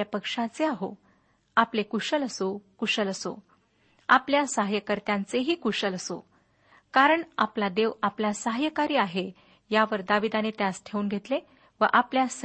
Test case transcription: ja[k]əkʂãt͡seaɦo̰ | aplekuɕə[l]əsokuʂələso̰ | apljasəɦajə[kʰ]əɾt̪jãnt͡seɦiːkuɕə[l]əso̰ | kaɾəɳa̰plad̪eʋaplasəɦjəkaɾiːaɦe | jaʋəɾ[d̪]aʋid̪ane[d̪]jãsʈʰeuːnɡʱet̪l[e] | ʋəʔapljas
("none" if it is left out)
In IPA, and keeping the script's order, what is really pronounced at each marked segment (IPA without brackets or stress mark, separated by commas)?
p, l, k, l, d̪, t̪, e